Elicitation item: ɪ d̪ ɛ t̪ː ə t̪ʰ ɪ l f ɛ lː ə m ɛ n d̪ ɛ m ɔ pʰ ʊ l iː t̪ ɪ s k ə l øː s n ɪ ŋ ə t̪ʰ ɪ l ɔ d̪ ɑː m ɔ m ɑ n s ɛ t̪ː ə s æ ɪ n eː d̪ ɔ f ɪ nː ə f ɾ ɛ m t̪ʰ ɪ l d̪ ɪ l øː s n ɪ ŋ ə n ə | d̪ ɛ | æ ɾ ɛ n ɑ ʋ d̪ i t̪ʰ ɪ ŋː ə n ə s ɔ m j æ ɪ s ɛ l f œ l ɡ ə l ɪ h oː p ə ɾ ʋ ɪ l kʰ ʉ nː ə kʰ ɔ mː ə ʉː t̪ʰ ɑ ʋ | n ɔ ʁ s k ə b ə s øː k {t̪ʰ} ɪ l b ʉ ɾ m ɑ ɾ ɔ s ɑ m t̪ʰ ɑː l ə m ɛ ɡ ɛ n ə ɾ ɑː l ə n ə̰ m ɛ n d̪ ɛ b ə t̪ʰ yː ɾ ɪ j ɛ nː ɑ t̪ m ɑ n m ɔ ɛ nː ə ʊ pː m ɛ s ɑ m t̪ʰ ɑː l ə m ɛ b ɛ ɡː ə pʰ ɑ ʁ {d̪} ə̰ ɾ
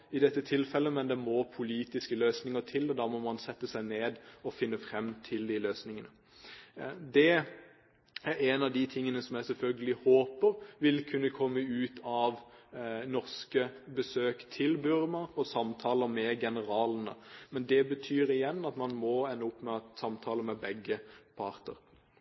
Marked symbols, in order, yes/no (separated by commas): yes, no